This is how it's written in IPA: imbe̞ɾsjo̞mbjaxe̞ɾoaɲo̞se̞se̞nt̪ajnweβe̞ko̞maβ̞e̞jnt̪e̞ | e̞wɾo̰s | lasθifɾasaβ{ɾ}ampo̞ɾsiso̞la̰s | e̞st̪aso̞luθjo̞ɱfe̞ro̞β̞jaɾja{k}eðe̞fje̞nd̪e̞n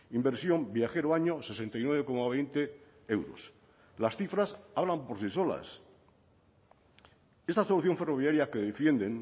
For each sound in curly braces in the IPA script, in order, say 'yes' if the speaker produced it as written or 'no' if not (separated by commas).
no, yes